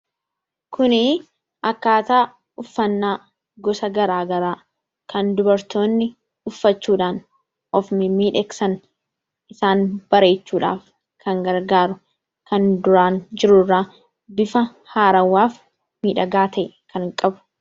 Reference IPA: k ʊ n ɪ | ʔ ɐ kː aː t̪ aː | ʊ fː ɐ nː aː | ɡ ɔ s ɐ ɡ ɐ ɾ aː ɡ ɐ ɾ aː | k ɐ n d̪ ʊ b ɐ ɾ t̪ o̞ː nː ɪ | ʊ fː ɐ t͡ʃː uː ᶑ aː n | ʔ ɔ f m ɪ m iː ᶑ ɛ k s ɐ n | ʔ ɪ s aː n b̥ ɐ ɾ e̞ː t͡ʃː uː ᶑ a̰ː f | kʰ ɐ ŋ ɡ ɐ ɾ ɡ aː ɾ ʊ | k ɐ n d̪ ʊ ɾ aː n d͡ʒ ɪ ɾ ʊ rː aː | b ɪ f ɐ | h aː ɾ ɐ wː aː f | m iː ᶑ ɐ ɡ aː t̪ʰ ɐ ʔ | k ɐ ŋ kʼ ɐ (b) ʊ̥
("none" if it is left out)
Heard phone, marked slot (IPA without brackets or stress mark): b